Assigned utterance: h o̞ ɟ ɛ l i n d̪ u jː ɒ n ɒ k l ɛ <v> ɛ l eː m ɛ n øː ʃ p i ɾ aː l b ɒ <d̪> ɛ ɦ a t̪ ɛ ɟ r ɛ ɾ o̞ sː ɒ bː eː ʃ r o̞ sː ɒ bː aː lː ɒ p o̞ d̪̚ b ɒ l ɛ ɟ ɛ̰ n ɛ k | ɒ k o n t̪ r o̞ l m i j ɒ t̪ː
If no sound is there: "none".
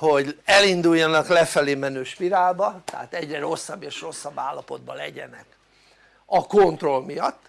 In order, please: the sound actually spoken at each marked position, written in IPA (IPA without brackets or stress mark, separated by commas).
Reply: f, t̪